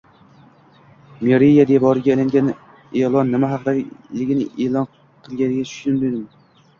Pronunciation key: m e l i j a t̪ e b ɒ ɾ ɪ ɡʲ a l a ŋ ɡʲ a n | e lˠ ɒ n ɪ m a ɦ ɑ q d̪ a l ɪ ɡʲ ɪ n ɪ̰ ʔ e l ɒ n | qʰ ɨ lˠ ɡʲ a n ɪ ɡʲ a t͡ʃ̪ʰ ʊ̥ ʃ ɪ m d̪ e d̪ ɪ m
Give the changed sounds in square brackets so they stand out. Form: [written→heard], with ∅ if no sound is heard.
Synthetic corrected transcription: m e [l→ɾ] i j a [t̪→d̪] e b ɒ ɾ ɪ ɡʲ a l a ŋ ɡʲ a n | e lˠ ɒ [n→nː] ɪ m a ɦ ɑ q d̪ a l ɪ ɡʲ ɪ n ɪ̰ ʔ e l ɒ n | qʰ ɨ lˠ ɡʲ a n ɪ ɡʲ a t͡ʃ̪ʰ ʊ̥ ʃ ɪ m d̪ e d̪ ɪ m